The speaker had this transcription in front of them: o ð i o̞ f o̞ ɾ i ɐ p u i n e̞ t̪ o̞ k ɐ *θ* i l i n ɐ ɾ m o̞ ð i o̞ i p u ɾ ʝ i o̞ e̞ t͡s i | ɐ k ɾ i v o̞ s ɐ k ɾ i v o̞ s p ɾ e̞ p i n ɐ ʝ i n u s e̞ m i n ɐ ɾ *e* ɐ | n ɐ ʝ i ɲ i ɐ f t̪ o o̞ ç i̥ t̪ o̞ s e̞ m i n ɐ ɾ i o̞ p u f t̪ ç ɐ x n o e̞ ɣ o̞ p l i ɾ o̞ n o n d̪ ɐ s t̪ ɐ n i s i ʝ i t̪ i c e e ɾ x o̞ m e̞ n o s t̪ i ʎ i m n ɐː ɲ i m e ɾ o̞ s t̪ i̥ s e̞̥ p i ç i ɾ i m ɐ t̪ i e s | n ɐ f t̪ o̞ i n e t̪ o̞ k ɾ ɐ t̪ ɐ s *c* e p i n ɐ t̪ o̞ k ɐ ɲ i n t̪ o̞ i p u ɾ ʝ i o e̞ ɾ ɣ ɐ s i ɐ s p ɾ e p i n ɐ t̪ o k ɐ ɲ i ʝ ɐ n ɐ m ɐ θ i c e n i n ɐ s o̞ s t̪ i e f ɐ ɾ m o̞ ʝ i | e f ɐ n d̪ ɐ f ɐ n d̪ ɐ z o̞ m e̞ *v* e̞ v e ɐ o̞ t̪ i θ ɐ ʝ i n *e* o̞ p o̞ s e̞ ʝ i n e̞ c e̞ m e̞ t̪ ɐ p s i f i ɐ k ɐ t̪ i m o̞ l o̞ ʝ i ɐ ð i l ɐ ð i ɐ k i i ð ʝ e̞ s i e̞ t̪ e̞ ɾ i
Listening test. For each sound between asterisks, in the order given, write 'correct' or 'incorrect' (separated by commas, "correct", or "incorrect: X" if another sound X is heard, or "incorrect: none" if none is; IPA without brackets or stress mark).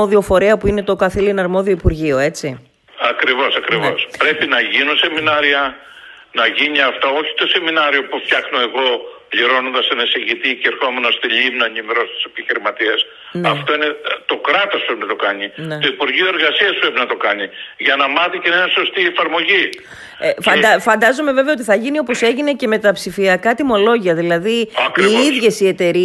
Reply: correct, incorrect: i, incorrect: p, correct, incorrect: i